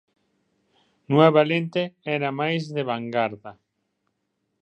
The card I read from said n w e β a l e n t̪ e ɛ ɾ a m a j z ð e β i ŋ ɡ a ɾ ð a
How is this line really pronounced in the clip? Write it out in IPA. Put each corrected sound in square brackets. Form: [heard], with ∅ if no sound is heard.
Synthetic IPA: n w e β a l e n t̪ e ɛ ɾ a m a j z ð e β [a] ŋ ɡ a ɾ ð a

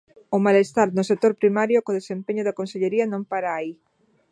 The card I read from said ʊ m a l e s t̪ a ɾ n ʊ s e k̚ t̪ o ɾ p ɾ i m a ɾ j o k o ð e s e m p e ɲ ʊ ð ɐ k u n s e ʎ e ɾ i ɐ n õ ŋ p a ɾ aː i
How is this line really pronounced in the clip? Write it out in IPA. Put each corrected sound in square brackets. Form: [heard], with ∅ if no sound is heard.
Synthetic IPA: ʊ m a l e s t̪ a ɾ n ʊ s e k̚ t̪ o ɾ p ɾ i m a ɾ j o k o ð e s e m p e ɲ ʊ ð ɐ k [o] n s e ʎ e ɾ i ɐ n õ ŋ p a ɾ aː i

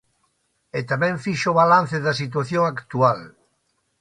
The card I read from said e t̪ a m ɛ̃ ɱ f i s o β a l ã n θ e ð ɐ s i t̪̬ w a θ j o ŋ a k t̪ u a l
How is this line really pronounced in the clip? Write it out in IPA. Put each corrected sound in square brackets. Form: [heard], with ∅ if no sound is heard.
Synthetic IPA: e t̪ a m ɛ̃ ɱ f i [ʃ] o β a l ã n θ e ð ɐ s i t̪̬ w a θ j o ŋ a k t̪ u a l

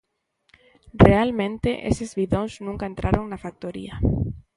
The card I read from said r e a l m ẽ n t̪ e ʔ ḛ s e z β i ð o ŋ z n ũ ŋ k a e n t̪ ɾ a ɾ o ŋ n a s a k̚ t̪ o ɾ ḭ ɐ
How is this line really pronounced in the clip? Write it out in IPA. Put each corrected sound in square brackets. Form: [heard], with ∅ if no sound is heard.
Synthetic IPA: r e a l m ẽ n t̪ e ʔ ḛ s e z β i ð o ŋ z n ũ ŋ k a e n t̪ ɾ a ɾ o ŋ n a [f] a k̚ t̪ o ɾ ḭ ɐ

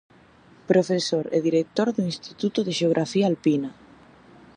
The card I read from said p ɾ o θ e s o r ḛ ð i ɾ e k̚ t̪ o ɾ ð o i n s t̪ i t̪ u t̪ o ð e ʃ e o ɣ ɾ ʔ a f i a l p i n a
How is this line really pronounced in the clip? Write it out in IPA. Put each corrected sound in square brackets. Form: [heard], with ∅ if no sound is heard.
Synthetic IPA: p ɾ o [f] e s o [ɾ] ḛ ð i ɾ e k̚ t̪ o ɾ ð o i n s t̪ i t̪ u t̪ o ð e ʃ e o ɣ ɾ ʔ a f i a l p i n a

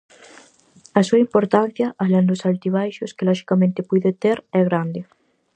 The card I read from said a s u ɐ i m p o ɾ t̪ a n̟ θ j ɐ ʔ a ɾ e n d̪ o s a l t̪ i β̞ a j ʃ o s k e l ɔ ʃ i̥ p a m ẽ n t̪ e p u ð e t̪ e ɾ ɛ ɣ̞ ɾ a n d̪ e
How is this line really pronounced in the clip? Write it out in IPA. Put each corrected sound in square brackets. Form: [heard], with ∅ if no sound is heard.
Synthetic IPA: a s u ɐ i m p o ɾ t̪ a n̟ θ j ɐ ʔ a [l] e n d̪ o s a l t̪ i β̞ a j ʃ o s k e l ɔ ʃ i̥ [k] a m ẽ n t̪ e p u ð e t̪ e ɾ ɛ ɣ̞ ɾ a n d̪ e

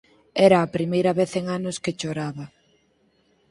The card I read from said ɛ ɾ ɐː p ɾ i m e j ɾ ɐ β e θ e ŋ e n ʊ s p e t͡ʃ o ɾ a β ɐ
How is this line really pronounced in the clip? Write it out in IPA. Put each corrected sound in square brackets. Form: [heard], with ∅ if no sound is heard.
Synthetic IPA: ɛ ɾ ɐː p ɾ i m e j ɾ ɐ β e θ e ŋ [a] n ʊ s [k] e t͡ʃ o ɾ a β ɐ

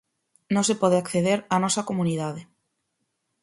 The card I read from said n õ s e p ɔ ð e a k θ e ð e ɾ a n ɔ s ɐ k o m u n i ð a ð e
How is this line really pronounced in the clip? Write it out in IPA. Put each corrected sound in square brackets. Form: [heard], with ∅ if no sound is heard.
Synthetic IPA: n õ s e p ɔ ð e a k θ e ð e ɾ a n ɔ s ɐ k o m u n i ð a ð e

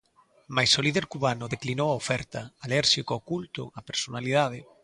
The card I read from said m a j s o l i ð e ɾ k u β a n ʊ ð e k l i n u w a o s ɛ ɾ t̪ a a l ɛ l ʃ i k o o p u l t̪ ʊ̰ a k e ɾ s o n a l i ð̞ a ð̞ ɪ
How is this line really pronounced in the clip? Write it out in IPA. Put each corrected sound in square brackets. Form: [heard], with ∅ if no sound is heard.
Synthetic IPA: m a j s o l i ð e ɾ k u β a n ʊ ð e k l i n [o] w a o [f] ɛ ɾ t̪ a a l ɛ [ɾ] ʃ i k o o [k] u l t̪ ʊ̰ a [p] e ɾ s o n a l i ð̞ a ð̞ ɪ

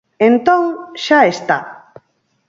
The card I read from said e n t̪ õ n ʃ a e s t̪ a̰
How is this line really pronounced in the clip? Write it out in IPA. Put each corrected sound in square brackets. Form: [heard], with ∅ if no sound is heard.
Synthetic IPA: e n t̪ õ [ŋ] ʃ a e s t̪ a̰

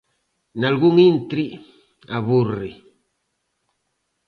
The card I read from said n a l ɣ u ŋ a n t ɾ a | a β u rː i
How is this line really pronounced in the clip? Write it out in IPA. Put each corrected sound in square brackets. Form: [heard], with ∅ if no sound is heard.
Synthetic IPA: n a l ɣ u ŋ [i] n t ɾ [i] | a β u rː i

